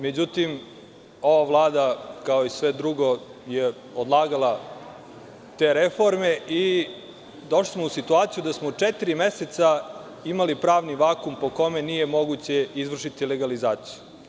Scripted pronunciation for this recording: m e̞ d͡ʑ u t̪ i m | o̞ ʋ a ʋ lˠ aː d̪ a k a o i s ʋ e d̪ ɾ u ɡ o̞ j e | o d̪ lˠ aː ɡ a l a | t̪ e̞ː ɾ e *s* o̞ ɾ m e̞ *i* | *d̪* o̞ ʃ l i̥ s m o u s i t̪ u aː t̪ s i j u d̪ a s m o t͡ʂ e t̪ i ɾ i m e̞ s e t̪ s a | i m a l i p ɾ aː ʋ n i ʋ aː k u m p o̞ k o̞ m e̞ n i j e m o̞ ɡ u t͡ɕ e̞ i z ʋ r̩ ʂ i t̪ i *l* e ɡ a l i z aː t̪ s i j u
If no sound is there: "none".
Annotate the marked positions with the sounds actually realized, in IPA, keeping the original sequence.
f, i, d̪, l

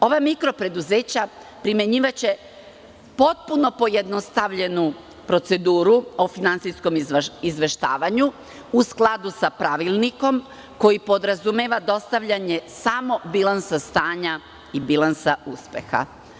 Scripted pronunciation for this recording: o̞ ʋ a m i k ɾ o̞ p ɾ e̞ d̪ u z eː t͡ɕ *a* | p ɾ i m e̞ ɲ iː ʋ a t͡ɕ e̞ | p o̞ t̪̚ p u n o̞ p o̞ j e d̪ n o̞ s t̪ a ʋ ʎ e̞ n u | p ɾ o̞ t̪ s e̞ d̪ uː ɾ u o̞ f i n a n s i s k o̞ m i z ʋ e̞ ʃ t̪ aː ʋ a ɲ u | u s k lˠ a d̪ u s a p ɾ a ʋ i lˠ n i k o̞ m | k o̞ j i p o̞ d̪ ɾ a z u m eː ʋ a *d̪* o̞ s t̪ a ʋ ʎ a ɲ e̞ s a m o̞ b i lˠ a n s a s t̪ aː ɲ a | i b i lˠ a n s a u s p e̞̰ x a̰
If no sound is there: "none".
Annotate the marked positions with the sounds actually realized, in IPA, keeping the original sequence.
a, d̪

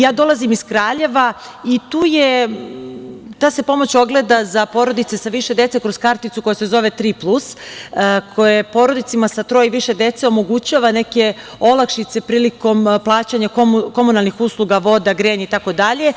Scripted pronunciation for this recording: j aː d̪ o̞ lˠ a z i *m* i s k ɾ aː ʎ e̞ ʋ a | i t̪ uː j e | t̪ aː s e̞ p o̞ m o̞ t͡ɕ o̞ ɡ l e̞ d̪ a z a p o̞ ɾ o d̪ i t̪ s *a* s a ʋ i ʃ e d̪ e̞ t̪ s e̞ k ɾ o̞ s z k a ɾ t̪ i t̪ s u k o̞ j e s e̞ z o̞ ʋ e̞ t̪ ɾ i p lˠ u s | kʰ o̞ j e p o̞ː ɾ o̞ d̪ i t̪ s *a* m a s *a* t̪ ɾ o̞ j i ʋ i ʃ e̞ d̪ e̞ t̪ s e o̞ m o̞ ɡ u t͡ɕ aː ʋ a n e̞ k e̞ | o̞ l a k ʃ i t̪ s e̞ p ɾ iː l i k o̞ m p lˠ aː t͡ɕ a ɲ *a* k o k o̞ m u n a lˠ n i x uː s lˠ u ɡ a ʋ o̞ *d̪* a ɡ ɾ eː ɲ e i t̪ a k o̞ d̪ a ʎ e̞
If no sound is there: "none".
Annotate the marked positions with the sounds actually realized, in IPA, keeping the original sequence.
m, e, i, a, a, d̪

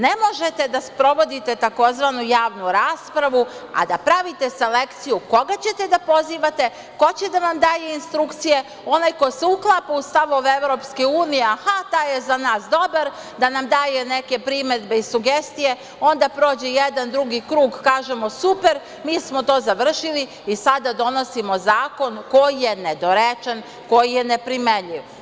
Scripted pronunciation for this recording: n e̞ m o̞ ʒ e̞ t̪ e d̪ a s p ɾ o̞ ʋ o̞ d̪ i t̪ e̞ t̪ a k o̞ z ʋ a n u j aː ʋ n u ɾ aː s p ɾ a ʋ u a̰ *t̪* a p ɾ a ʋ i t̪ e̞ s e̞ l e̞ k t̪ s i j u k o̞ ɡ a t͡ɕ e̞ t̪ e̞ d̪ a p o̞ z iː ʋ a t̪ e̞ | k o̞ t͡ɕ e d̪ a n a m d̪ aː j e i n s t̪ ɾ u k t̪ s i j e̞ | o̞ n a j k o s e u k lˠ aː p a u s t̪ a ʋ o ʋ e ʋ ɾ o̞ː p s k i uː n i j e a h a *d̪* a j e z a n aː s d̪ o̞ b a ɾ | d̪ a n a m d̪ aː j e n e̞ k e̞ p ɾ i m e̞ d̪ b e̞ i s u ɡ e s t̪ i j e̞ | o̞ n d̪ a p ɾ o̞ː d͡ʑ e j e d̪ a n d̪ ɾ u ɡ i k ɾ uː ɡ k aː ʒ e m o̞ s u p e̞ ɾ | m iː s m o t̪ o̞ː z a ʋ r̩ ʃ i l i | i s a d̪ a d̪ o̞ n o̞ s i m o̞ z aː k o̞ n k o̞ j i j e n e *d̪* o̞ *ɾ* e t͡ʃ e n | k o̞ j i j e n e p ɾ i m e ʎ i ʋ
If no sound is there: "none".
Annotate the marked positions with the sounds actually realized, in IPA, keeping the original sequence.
d̪, t̪, d̪, ɾ

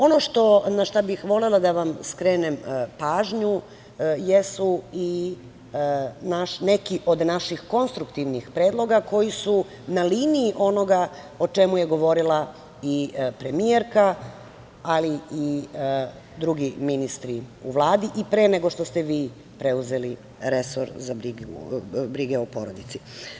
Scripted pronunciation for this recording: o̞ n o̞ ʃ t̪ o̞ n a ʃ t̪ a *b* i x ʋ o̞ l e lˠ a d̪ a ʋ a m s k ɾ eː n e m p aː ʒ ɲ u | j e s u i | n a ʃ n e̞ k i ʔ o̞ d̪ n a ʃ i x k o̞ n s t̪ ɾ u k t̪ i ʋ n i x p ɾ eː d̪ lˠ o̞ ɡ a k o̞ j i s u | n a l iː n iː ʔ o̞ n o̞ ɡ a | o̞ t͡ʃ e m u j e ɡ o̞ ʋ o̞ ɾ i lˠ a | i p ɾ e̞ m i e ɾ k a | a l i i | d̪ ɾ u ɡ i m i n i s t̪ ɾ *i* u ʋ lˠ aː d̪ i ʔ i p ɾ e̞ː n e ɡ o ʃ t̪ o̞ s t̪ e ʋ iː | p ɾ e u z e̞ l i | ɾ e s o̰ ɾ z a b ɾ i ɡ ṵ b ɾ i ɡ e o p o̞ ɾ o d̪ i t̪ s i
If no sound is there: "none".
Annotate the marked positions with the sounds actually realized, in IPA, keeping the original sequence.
b, i

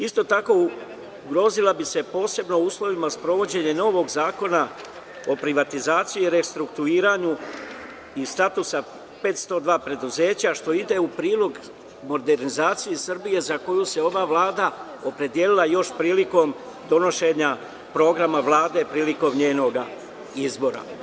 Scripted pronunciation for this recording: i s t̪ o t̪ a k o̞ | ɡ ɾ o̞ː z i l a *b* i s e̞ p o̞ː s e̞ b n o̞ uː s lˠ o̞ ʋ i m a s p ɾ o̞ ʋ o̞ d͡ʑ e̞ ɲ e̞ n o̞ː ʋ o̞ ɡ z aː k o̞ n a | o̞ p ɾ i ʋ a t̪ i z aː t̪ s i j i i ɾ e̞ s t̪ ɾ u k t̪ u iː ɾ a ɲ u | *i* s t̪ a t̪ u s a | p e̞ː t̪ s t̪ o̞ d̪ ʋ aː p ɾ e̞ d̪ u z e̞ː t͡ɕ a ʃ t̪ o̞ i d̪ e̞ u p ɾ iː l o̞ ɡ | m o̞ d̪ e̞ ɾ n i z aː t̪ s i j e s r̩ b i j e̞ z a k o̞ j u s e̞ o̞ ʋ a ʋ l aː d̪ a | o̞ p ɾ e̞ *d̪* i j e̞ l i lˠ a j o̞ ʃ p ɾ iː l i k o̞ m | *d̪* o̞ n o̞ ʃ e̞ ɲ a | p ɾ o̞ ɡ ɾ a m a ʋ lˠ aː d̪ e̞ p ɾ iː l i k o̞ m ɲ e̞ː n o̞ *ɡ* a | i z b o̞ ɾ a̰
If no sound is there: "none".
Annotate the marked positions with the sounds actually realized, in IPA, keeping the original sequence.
b, i, d̪, d̪, ɡ

